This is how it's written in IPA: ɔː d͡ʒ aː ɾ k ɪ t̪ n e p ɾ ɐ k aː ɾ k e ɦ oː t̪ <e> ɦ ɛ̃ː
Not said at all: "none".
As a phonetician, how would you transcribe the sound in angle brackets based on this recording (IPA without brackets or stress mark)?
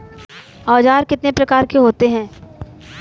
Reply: e